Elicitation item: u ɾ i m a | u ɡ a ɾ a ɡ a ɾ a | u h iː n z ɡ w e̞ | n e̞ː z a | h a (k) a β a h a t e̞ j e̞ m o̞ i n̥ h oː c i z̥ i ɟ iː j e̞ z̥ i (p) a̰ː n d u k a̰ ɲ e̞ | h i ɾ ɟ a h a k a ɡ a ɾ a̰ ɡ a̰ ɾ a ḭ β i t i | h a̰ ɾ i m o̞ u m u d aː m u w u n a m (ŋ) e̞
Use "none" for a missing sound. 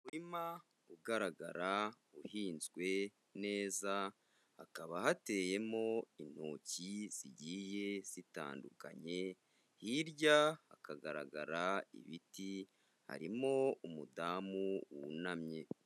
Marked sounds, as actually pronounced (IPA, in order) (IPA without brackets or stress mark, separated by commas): k, t, ɲ